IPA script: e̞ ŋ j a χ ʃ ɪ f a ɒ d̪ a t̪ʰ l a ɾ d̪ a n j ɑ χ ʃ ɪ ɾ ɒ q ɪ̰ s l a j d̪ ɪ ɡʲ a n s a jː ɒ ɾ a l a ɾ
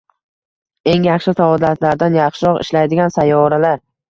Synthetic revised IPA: e̞ ŋ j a χ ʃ ɪ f a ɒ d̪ a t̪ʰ l a ɾ d̪ a n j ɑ χ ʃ ɪ ɾ ɒ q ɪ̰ ʃ l a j d̪ ɪ ɡʲ a n s a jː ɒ ɾ a l a ɾ